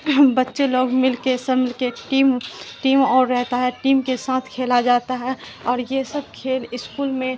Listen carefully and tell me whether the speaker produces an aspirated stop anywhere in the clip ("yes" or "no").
yes